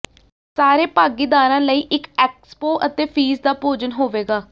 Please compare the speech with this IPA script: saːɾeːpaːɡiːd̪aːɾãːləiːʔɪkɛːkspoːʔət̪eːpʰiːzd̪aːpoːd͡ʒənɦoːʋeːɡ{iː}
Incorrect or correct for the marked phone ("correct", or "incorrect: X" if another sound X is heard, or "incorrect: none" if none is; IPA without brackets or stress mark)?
incorrect: aː